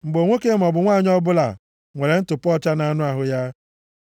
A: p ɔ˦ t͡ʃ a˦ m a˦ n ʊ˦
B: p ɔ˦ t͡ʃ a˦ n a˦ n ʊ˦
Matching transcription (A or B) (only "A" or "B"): B